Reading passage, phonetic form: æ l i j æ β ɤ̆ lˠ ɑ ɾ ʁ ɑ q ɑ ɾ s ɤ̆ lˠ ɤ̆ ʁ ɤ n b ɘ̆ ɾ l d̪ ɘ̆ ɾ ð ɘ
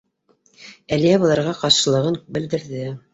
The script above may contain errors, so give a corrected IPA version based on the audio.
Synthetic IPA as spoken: æ l i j æ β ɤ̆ lˠ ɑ ɾ ʁ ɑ q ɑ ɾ ʃ ɤ̆ lˠ ɤ̆ ʁ ɤ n b ɘ̆ l d̪ ɘ̆ ɾ ð ɘ